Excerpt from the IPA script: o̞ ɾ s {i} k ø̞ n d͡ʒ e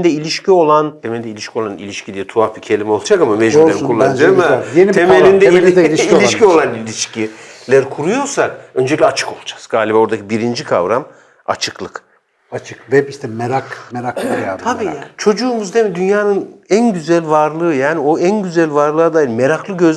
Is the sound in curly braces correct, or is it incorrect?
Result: incorrect